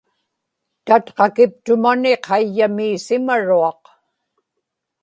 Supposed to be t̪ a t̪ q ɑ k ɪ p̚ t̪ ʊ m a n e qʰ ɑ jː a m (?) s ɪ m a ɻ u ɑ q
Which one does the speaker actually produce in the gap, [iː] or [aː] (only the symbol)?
iː